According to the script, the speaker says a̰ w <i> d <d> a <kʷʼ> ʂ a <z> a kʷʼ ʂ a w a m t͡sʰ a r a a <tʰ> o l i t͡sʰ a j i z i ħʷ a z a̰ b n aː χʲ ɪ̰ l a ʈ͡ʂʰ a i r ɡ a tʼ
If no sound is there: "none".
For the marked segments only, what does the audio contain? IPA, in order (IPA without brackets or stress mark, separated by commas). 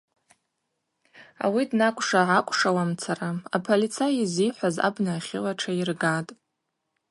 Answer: i, n, kʷʼ, ʕ, pʰ